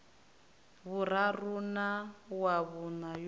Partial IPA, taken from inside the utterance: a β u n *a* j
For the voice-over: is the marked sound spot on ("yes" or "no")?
yes